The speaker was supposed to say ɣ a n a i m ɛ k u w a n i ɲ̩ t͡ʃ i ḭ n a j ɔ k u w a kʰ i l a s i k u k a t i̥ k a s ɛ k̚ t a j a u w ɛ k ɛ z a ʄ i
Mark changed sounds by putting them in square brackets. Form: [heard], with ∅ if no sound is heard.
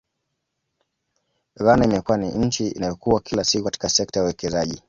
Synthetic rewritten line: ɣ a n a i m ɛ k u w a n i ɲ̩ t͡ʃ i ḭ n a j ɔ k u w a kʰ i l a s i k u k a t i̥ k a s ɛ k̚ t a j a u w ɛ k ɛ z a ʄ i